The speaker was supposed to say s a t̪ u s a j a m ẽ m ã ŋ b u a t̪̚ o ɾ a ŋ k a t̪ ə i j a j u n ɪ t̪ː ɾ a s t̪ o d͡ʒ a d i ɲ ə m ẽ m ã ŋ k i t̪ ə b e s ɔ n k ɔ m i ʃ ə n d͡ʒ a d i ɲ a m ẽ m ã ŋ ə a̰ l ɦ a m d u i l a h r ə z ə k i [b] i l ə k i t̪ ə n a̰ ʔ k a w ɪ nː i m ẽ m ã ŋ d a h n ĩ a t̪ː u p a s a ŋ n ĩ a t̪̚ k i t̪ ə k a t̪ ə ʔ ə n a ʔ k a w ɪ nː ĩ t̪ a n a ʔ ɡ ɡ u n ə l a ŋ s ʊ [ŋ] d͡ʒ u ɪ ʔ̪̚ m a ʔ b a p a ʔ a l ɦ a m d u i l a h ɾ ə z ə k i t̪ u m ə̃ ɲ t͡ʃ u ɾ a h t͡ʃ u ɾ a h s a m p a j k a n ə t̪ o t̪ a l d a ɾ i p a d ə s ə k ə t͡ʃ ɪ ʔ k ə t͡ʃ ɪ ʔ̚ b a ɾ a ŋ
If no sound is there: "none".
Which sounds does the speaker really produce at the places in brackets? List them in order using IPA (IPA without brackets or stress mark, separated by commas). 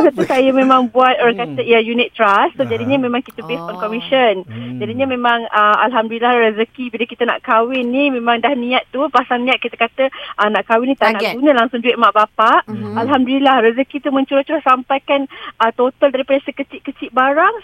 b, ŋ